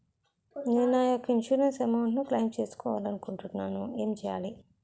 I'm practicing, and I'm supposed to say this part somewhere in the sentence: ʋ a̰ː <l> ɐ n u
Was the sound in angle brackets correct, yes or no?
yes